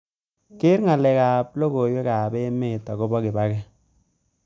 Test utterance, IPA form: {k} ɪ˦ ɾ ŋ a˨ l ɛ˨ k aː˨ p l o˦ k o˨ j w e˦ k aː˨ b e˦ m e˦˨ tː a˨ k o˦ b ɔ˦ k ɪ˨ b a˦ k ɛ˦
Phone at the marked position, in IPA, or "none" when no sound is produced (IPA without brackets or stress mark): k